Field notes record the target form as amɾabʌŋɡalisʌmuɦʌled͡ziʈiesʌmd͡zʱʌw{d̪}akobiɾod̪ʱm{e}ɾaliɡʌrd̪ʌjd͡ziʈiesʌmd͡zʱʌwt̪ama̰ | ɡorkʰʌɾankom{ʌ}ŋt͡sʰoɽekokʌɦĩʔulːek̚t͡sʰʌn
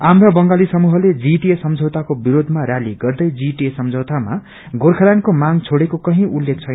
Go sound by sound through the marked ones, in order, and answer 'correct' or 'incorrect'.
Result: incorrect: t̪, incorrect: a, incorrect: a

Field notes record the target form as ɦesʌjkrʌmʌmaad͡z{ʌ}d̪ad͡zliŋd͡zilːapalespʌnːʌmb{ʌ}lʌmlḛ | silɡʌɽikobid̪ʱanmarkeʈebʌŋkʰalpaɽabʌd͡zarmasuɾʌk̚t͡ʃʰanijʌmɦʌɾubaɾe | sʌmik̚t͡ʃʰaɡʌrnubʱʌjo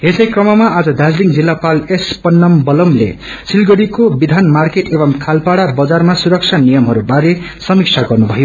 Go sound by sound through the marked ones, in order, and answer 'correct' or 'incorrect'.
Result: correct, correct

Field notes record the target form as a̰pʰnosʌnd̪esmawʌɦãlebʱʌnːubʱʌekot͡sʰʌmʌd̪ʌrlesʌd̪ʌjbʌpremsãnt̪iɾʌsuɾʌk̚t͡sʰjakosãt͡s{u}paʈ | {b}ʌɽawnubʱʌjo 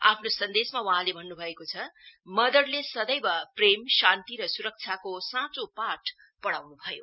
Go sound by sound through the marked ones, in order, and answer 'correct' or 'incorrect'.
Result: incorrect: o, incorrect: p

